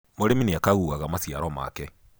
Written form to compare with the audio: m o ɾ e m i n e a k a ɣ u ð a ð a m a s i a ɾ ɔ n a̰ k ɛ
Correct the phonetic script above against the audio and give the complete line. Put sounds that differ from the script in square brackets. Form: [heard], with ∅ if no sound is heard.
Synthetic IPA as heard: m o ɾ e m i n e a k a ɣ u [ɣ] a [ɣ] a m a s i a ɾ ɔ [m] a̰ k ɛ